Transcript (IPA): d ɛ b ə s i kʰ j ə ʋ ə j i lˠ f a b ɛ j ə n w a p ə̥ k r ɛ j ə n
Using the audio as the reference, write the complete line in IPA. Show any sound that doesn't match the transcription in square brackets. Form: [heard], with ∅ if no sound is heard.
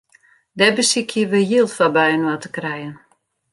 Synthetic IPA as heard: d ɛ b ə s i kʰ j ə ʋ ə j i lˠ f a b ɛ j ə n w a [t] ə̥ k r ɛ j ə n